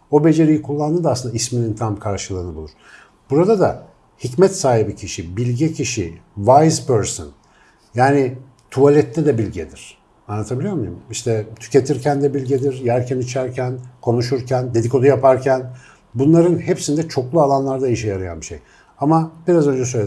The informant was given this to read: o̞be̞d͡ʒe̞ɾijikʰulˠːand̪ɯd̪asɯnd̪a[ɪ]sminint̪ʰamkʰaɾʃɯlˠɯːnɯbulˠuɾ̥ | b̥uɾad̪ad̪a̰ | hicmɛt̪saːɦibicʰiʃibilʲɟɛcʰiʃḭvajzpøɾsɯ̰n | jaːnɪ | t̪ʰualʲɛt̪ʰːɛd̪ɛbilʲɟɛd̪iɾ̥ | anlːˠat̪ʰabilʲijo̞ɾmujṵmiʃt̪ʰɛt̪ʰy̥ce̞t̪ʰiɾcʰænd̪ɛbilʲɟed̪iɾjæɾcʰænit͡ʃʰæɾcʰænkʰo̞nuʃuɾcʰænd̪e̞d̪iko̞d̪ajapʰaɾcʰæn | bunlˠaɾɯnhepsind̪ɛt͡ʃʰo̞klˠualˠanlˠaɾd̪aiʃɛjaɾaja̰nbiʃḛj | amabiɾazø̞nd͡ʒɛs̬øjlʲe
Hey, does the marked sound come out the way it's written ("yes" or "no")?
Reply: no